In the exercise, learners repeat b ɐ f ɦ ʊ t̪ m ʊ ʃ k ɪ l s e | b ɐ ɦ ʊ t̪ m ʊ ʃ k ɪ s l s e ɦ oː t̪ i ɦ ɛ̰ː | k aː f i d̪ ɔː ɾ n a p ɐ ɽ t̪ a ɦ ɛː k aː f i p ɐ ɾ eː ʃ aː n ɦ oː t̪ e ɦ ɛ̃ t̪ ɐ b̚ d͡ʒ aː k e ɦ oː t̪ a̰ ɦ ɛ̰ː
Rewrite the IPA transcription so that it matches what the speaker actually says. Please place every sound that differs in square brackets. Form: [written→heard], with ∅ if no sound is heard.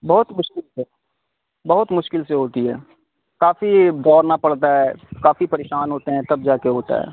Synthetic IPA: b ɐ [f→∅] ɦ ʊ t̪ m ʊ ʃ k ɪ l s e | b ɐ ɦ ʊ t̪ m ʊ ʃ k ɪ [s→∅] l s e ɦ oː t̪ i ɦ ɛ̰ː | k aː f i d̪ ɔː ɾ n a p ɐ ɽ t̪ a ɦ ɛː k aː f i p ɐ ɾ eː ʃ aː n ɦ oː t̪ e ɦ ɛ̃ t̪ ɐ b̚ d͡ʒ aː k e ɦ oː t̪ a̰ ɦ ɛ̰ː